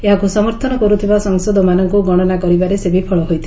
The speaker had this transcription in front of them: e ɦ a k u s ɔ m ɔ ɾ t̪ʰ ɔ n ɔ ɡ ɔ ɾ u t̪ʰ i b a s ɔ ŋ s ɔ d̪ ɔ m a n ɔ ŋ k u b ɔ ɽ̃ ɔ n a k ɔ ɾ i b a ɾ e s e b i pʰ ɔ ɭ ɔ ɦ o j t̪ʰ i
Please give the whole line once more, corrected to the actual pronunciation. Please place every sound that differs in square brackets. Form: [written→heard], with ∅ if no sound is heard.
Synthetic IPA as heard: e ɦ a k u s ɔ m ɔ ɾ t̪ʰ ɔ n ɔ [ɡ→k] ɔ ɾ u t̪ʰ i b a s ɔ ŋ s ɔ d̪ ɔ m a n ɔ ŋ k u [b→ɡ] ɔ ɽ̃ ɔ n a k ɔ ɾ i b a ɾ e s e b i pʰ ɔ ɭ ɔ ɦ o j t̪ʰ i